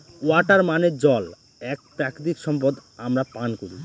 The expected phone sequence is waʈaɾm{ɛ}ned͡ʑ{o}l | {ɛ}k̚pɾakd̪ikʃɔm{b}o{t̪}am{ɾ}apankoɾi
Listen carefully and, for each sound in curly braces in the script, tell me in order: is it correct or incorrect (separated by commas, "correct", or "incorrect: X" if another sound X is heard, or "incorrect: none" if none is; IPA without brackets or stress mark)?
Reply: incorrect: a, incorrect: ɔ, correct, incorrect: p, incorrect: d̪, correct